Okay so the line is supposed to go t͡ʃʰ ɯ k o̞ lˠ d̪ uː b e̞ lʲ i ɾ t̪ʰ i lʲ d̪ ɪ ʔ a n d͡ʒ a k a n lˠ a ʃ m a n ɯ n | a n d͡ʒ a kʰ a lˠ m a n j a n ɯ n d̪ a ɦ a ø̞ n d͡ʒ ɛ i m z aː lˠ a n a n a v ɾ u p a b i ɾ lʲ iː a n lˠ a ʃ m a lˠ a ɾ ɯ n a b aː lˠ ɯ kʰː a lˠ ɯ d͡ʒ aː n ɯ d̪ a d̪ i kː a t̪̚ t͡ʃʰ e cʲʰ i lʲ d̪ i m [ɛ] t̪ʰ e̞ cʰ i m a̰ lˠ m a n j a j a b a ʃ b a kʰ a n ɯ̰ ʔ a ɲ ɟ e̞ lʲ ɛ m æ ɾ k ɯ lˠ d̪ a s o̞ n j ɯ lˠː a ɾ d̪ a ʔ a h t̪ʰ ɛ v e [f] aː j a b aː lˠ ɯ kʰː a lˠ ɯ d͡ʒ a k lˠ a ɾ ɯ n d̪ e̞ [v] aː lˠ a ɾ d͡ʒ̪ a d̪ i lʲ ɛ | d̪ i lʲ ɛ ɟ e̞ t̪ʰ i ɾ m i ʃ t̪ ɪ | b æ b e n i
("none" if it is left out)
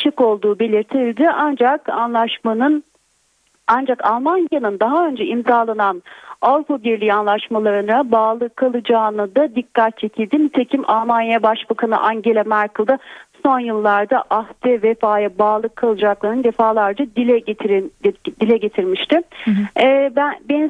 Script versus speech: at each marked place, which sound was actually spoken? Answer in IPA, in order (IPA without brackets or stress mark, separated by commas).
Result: i, f, f